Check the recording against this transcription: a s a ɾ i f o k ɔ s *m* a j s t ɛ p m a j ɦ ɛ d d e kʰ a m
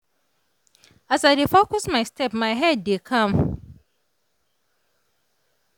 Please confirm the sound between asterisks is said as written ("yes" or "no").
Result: yes